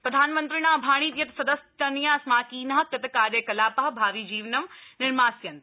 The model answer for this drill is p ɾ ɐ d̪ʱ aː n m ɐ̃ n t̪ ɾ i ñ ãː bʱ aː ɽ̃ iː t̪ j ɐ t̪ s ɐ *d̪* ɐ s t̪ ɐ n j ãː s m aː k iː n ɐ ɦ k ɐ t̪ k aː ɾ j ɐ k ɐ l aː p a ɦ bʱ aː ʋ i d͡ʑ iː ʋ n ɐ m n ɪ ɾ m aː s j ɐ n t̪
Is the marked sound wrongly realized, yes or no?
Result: no